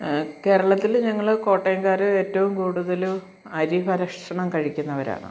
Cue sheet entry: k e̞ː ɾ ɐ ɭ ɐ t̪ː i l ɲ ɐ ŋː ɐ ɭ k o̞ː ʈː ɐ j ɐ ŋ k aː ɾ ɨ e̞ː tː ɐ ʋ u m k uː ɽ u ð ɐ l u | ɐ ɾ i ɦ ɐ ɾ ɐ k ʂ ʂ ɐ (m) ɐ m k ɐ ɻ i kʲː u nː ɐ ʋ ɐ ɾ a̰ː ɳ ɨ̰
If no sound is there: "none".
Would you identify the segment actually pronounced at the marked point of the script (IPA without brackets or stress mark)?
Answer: ɳ